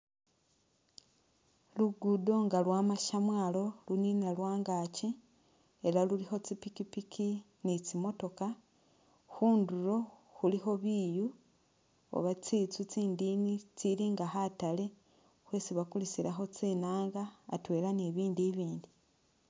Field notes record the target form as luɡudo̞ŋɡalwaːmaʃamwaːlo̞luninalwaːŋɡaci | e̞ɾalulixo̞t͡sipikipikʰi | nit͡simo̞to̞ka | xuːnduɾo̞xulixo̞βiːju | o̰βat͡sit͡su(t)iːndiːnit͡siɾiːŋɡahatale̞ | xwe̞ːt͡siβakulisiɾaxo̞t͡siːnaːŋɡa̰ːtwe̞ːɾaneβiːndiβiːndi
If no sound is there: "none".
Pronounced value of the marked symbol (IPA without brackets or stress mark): t͡s